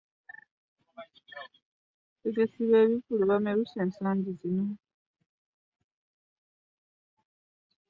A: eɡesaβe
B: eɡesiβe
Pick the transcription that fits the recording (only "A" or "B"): B